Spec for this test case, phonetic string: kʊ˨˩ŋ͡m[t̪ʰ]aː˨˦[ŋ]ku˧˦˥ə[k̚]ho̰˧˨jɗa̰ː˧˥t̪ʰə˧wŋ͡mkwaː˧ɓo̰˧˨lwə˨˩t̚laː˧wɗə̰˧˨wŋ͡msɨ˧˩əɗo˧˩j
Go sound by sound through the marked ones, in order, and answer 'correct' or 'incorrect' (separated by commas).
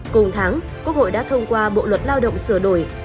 correct, correct, correct